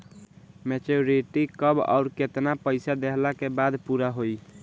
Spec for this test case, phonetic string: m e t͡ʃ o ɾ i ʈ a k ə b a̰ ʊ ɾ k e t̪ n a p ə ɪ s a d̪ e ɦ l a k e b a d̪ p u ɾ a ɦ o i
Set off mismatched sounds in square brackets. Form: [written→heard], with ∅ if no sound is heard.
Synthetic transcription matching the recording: m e t͡ʃ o ɾ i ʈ [a→i] k ə b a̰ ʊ ɾ k e t̪ n a p ə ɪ s a d̪ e ɦ l a k e b a d̪ p u ɾ a ɦ o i